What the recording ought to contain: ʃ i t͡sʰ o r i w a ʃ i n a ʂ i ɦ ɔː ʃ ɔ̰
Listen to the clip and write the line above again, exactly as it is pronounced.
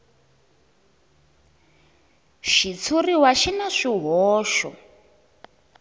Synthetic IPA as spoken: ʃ i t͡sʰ u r i w a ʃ i n a ʂ i ɦ ɔː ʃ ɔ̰